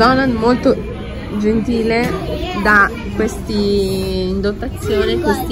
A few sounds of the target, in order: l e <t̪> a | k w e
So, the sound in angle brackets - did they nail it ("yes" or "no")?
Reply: no